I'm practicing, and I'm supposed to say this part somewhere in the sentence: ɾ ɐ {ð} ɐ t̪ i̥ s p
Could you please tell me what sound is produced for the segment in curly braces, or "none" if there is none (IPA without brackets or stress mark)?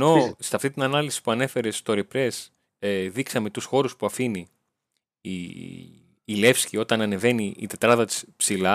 ð